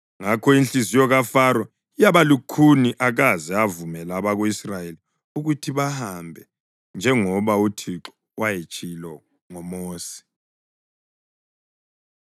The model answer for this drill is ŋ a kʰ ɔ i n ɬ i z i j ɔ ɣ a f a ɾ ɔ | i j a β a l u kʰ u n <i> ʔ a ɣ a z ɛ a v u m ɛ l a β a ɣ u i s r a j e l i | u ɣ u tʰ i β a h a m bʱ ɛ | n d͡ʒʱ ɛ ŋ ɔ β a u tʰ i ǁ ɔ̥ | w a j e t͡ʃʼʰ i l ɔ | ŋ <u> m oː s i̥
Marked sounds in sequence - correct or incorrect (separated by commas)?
correct, incorrect